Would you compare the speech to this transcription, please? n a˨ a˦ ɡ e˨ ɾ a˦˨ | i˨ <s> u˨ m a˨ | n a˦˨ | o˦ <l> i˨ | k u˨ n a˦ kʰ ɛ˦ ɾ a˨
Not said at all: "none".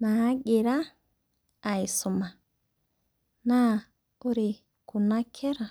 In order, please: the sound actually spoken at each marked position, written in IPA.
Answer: s, ɾ

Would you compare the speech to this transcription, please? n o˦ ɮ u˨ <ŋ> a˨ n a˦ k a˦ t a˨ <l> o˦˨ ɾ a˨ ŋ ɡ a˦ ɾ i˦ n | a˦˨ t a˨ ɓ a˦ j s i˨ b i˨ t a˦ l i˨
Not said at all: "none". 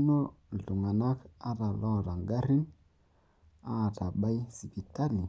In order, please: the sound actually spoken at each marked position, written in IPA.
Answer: ŋ, l

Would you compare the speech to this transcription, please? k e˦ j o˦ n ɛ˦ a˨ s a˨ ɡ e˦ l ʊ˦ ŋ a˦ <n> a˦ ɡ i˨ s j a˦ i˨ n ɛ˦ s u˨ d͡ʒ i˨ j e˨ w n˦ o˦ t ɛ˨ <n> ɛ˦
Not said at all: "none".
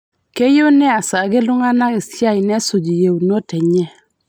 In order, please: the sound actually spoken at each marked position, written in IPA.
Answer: n, ɲ

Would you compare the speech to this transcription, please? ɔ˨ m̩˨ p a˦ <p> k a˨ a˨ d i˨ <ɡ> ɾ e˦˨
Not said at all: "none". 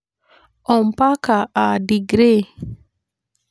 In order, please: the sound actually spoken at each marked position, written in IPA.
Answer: none, ɡ

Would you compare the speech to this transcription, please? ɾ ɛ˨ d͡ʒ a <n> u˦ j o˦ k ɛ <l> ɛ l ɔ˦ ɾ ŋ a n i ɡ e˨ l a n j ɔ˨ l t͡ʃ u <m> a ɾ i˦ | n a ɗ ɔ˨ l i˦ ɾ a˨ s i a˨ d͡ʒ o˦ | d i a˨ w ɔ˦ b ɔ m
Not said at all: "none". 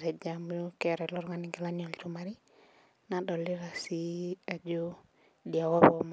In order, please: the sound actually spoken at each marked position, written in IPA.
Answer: m, ɾ, m

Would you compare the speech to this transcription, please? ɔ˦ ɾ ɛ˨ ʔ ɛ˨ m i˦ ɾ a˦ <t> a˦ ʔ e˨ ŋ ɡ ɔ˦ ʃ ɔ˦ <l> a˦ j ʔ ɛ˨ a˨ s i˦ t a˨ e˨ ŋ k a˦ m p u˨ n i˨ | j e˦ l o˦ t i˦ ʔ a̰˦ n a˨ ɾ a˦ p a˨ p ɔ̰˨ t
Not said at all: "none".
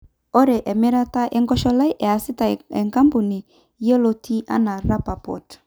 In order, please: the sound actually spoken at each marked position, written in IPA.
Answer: t, l

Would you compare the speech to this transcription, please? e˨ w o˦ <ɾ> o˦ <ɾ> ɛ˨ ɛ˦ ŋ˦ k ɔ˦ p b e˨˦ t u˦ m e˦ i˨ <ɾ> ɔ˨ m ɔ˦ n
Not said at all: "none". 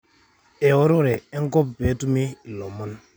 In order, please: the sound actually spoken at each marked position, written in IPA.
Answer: ɾ, ɾ, l

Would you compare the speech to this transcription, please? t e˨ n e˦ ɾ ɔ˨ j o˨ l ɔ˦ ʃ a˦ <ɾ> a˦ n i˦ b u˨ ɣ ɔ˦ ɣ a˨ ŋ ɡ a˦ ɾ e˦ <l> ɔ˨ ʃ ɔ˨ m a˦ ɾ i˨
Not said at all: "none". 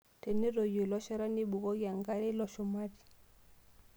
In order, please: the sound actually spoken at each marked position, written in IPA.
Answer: ɾ, l

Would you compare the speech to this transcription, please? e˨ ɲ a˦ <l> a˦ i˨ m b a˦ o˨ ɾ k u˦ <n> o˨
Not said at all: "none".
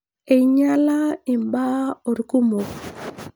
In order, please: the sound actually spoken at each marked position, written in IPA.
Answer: l, m

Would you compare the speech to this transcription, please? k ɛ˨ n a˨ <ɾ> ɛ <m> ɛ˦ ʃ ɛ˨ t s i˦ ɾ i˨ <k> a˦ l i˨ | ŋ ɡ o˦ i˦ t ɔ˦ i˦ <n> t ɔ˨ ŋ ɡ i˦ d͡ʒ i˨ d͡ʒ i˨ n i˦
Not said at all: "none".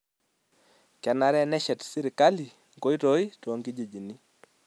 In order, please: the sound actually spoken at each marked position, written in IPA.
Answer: ɾ, n, k, none

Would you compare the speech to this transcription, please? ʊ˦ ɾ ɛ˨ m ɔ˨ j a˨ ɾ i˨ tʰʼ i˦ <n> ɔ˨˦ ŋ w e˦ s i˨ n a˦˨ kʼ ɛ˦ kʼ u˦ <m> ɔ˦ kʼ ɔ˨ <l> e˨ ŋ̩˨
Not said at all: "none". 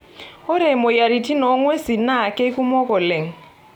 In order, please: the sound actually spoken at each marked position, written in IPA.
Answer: n, m, l

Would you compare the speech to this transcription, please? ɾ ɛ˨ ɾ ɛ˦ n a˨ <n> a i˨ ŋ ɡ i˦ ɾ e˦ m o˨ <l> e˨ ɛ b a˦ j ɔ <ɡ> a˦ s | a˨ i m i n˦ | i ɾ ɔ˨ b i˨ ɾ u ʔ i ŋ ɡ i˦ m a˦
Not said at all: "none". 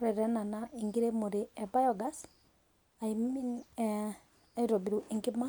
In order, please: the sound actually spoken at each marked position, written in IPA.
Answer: n, ɾ, ɡ

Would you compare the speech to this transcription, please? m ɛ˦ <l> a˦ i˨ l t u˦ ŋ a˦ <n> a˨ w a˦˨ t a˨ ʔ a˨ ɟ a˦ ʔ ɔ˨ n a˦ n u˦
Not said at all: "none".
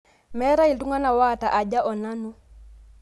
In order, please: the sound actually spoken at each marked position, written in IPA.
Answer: ɾ, n

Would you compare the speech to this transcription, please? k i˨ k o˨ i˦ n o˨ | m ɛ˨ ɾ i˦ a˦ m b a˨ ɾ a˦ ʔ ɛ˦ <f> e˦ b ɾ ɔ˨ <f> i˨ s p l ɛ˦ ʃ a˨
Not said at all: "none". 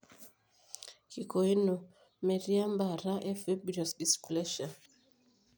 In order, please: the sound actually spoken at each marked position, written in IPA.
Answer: f, s

